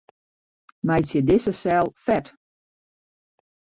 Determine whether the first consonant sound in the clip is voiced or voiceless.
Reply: voiced